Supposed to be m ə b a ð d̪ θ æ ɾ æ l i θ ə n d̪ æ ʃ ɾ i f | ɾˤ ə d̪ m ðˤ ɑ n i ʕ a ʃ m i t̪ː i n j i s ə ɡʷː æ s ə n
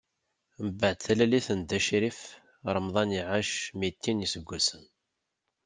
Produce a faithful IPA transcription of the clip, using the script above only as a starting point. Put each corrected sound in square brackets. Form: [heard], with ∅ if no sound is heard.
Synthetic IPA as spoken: m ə b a [ʕ] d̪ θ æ [l] æ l i θ ə n d̪ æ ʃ ɾ i f | ɾˤ ə [∅] m ðˤ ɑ n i ʕ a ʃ m i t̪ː i n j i s ə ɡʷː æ s ə n